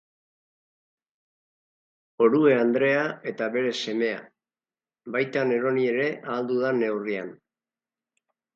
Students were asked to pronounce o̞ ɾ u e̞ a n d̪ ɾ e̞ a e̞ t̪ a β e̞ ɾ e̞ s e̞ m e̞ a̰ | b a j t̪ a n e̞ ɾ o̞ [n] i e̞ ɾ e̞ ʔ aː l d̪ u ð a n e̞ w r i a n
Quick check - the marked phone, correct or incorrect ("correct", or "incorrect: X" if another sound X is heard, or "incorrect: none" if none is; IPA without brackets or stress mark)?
correct